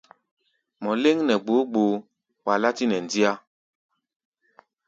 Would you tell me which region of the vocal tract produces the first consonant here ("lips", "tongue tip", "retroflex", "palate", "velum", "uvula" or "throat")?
lips